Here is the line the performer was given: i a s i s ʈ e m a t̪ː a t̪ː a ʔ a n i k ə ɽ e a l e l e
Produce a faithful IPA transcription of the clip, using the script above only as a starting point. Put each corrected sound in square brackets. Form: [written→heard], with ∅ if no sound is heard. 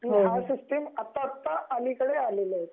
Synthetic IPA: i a s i s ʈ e m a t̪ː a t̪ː a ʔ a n i k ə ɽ e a l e l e